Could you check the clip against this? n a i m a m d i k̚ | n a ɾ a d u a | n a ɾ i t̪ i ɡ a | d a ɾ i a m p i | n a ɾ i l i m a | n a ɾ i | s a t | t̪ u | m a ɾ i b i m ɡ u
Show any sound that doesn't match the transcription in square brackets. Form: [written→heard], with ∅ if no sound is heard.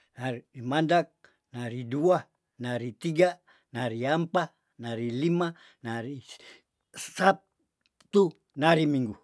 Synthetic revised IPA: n a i m a [m→n] d [i→a] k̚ | n a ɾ [a→i] d u a | n a ɾ i t̪ i ɡ a | [d→n] a ɾ i a m p [i→a] | n a ɾ i l i m a | n a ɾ i | s a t | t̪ u | [m→n] a ɾ i [b→m] i [m→ŋ] ɡ u